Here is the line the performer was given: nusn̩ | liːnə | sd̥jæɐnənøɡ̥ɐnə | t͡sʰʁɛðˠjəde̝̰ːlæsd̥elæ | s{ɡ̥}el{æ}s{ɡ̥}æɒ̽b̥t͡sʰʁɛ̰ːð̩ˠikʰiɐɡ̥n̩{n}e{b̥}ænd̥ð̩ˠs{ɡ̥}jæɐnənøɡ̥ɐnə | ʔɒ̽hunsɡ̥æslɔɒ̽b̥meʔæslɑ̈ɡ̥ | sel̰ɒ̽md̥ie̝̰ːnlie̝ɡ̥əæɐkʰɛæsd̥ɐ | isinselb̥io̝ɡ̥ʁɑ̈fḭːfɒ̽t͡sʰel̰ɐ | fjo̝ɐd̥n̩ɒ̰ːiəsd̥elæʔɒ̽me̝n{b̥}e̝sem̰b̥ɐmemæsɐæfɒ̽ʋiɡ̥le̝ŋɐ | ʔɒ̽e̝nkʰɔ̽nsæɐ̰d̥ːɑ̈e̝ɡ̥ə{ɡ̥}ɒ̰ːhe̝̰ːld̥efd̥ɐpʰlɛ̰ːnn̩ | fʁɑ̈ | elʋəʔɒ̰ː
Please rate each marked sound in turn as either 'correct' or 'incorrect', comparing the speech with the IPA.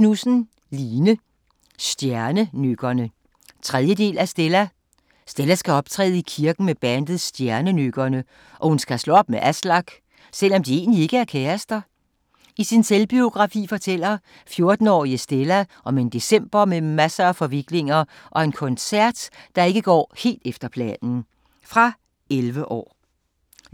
incorrect: d̥, correct, correct, incorrect: m, correct, incorrect: d̥, incorrect: d̥, correct

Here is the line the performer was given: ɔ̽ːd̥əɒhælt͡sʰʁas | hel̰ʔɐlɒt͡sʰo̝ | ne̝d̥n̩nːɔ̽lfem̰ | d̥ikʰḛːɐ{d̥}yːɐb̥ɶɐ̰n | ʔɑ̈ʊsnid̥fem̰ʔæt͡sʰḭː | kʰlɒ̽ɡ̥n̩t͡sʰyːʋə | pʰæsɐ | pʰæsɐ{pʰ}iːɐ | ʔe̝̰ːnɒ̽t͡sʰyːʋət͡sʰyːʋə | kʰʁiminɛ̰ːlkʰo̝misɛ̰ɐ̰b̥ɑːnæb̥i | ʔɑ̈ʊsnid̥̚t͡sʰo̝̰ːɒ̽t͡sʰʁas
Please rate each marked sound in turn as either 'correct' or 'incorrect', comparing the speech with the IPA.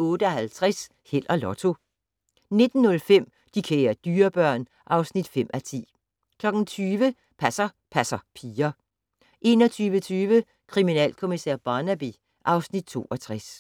correct, correct

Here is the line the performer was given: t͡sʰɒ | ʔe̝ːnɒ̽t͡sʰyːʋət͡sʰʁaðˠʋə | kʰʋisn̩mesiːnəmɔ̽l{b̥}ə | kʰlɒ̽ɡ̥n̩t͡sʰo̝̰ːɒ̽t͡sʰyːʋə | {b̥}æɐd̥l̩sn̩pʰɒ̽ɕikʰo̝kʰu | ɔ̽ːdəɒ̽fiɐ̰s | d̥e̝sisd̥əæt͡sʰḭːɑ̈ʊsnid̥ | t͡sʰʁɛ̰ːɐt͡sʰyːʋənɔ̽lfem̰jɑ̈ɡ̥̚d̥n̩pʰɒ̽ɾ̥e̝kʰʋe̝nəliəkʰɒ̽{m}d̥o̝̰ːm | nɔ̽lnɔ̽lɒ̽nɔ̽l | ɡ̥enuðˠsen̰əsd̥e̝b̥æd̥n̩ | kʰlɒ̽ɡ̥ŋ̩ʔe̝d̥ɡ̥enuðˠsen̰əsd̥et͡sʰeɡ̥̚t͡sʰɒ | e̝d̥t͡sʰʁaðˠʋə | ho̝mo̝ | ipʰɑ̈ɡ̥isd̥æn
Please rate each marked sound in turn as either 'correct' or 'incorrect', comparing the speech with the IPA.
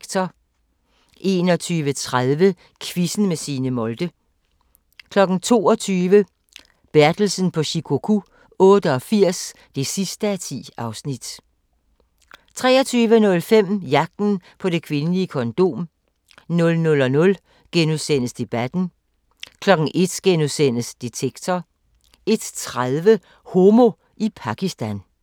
incorrect: d̥, correct, incorrect: n

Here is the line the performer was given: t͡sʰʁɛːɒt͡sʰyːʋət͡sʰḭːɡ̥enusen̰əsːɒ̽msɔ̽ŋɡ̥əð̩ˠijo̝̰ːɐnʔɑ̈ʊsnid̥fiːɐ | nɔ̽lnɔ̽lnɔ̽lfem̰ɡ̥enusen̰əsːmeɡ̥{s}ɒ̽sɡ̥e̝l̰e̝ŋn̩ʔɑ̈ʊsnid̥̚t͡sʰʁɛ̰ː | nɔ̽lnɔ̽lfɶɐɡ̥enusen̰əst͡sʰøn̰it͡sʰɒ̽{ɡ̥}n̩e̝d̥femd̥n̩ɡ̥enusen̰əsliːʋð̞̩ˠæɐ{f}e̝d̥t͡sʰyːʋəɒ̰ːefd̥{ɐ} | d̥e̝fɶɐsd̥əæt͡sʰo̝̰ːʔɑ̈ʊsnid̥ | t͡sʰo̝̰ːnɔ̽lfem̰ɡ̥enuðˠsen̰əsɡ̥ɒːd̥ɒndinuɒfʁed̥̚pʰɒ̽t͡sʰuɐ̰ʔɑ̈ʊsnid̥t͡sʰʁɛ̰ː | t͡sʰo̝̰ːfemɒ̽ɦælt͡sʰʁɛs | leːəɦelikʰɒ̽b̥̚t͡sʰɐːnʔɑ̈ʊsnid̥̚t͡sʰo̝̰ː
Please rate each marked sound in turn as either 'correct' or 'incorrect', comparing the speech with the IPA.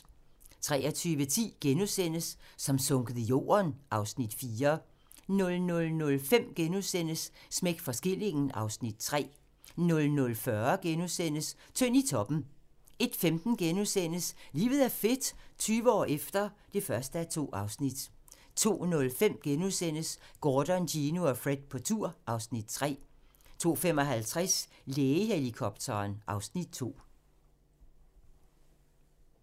incorrect: f, incorrect: b̥, correct, correct

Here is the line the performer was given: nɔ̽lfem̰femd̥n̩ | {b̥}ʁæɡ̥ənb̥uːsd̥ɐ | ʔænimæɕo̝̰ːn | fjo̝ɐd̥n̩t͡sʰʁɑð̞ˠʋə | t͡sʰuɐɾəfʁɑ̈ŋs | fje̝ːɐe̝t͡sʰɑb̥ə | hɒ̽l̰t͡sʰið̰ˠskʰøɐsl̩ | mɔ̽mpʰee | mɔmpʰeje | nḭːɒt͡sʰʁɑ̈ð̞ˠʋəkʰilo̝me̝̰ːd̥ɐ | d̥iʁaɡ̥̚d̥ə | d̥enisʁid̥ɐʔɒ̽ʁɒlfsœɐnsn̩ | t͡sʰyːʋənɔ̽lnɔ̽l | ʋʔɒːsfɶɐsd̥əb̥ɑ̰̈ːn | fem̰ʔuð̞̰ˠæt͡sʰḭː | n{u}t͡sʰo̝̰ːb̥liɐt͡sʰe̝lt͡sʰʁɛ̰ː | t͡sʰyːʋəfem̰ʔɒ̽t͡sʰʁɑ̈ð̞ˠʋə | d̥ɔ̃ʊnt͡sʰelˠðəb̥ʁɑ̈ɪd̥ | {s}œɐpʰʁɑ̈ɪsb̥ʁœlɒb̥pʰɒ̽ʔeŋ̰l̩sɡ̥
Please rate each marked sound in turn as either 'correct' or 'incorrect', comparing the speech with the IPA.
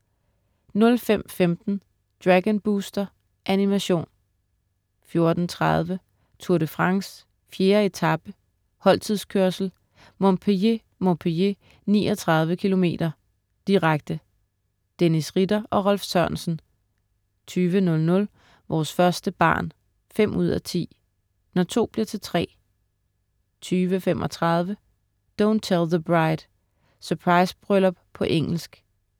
incorrect: d̥, incorrect: ɒ, correct

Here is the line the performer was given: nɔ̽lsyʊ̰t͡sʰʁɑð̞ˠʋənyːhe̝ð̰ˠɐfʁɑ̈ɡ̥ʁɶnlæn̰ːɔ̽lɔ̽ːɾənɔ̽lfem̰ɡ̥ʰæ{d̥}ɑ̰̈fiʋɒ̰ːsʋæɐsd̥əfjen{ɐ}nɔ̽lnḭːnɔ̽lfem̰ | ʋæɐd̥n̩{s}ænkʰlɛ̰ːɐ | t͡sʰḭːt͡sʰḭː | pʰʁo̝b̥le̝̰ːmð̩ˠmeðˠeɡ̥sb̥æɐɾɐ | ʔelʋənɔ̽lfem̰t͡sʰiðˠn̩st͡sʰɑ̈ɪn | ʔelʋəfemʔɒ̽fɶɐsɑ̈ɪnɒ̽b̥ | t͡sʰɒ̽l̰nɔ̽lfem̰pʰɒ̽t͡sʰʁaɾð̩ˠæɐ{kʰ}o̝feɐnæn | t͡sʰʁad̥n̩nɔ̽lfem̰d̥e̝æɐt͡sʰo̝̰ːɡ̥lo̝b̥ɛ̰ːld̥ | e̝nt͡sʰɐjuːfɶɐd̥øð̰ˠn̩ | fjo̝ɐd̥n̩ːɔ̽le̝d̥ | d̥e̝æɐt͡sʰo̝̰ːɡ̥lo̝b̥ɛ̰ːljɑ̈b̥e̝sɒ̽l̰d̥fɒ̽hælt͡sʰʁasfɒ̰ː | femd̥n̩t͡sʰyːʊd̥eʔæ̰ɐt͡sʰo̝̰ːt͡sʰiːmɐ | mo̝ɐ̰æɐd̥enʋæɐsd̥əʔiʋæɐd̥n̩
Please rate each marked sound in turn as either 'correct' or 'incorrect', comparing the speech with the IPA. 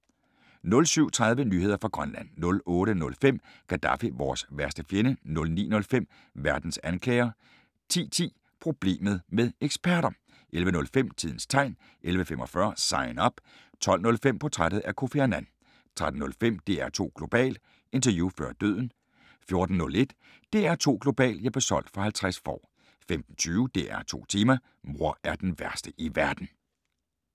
correct, incorrect: ə, correct, correct

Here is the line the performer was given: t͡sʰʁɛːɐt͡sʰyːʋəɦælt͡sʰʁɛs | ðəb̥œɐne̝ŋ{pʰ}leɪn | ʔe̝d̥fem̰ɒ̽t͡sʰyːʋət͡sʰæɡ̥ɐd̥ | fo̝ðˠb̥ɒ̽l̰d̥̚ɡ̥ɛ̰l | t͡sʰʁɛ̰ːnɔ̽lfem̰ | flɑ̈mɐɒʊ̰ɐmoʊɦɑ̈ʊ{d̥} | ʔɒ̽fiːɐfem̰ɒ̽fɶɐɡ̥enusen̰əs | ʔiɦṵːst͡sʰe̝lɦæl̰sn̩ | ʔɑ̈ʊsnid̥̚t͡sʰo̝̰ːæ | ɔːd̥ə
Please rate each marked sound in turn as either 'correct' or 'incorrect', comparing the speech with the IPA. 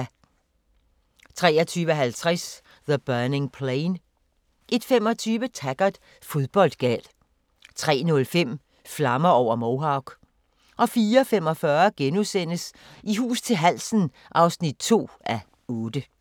correct, incorrect: ɡ̥

